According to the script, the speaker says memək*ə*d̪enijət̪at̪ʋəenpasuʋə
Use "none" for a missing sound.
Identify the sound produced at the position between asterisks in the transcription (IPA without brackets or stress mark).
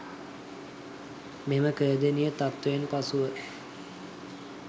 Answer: əː